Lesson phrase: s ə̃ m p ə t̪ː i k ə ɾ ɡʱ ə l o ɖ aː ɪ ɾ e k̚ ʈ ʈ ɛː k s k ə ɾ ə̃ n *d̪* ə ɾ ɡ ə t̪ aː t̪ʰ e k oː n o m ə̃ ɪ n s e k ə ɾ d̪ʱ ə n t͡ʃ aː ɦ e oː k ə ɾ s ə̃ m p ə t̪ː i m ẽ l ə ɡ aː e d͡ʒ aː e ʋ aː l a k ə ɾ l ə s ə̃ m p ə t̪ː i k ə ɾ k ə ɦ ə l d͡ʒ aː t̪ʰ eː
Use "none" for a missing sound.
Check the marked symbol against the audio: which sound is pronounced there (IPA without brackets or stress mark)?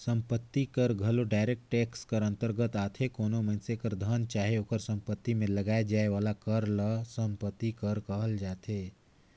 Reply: t̪